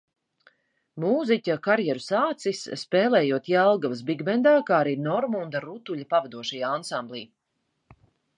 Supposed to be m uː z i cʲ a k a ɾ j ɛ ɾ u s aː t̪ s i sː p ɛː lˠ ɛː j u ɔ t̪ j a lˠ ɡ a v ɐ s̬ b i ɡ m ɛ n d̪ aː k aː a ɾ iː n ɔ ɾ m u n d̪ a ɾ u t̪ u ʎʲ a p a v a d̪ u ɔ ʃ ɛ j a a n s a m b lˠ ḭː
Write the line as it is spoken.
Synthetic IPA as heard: m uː z i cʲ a k a ɾ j ɛ ɾ u s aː t̪ s i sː p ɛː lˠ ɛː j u ɔ t̪ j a lˠ ɡ a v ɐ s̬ b i ɡ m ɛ n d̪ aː k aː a ɾ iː n ɔ ɾ m u n d̪ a ɾ u t̪ u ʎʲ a p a v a d̪ u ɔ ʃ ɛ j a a n s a m b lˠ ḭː